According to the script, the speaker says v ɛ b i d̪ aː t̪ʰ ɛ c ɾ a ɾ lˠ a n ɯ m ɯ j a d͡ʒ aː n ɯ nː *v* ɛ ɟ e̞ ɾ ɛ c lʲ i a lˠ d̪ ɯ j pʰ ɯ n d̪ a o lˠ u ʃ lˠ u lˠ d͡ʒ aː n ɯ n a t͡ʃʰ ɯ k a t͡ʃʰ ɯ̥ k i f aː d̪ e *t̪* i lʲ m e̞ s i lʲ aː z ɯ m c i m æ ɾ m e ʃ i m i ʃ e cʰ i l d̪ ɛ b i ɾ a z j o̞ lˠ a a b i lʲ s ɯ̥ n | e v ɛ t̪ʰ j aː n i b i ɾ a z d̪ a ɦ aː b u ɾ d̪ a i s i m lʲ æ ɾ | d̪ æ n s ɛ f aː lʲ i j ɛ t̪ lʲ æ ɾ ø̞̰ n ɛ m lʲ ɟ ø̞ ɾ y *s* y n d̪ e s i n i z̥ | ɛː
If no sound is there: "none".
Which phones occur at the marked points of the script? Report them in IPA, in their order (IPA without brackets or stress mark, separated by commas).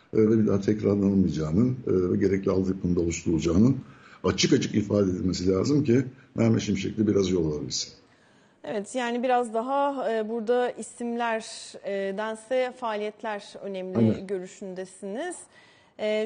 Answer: v, d̪, ʃ